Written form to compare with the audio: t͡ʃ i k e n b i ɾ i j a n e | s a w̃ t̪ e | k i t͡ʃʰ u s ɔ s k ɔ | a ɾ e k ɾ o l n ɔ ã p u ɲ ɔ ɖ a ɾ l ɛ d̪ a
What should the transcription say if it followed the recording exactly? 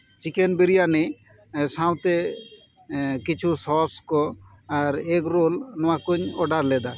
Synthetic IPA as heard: t͡ʃ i k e n b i ɾ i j a n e | s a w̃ t̪ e | k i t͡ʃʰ u s ɔ s k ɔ | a ɾ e k ɾ o l n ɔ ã k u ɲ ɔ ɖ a ɾ l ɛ d̪ a

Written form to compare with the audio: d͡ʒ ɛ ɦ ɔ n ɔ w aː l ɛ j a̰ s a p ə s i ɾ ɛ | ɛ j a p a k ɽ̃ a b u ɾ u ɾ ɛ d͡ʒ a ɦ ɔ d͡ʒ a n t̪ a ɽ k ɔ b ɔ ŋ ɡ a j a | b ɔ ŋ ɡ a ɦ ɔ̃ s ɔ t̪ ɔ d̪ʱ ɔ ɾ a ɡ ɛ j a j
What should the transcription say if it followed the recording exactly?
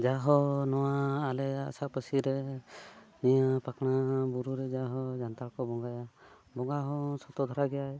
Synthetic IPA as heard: d͡ʒ a ɦ ɔ n ɔ w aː l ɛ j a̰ s a p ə s i ɾ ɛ | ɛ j a p a k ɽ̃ a b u ɾ u ɾ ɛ d͡ʒ a ɦ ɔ d͡ʒ a n t̪ a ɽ k ɔ b ɔ ŋ ɡ a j a | b ɔ ŋ ɡ a ɦ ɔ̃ s ɔ t̪ ɔ d̪ʱ ɔ ɾ a ɡ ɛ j a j

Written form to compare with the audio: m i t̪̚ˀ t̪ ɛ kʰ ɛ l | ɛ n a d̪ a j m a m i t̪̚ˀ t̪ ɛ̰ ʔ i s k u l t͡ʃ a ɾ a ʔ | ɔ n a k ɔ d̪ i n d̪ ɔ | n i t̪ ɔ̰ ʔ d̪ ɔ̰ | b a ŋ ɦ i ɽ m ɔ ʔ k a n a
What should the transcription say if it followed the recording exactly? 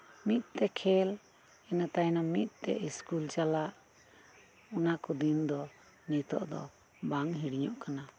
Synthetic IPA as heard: m i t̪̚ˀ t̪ ɛ kʰ ɛ l | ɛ n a t̪ a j n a m i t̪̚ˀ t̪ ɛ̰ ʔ i s k u l t͡ʃ a l a ʔ | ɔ n a k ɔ d̪ i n d̪ ɔ | n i t̪ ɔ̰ ʔ d̪ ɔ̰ | b a ŋ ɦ i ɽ ɲ ɔ ʔ k a n a

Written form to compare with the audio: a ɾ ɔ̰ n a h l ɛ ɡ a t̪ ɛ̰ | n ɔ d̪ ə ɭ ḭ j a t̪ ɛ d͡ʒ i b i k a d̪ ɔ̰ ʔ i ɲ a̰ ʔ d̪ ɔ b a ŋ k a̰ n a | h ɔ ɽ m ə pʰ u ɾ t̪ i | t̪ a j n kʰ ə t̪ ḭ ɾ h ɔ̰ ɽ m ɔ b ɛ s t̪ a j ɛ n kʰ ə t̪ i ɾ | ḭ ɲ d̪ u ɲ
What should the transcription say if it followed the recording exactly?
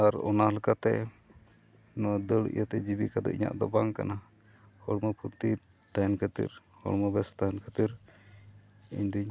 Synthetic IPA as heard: a ɾ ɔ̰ n a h l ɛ k a t̪ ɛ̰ | n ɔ d̪ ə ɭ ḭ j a t̪ ɛ d͡ʒ i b i k a d̪ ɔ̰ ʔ i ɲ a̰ ʔ d̪ ɔ b a ŋ k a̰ n a | h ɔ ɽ m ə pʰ u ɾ t̪ i | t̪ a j n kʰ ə t̪ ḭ ɾ h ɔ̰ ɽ m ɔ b ɛ s t̪ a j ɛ n kʰ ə t̪ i ɾ | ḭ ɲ d̪ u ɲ

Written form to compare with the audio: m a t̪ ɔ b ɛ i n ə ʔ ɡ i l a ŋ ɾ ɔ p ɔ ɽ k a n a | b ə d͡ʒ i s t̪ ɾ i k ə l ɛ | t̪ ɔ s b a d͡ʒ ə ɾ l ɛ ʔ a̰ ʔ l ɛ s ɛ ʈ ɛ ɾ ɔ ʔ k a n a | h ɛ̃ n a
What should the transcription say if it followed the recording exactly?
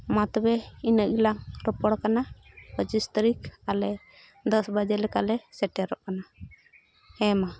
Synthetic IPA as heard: m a t̪ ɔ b ɛ i n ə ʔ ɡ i l a ŋ ɾ ɔ p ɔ ɽ k a n a | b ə d͡ʒ i s t̪ ɾ i k a l ɛ | d̪ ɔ s b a d͡ʒ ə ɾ l ɛ k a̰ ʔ l ɛ s ɛ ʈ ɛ ɾ ɔ ʔ k a n a | h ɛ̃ m a

